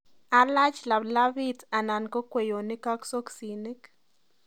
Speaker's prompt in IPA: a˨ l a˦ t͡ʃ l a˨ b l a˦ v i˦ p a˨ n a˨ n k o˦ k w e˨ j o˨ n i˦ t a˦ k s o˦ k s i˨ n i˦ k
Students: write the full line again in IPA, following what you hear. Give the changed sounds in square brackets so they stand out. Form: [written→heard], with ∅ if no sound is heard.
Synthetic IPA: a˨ l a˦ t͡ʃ l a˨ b l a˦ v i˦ [p→t] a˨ n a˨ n k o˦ k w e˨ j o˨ n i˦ [t→k] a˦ k s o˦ k s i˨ n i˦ k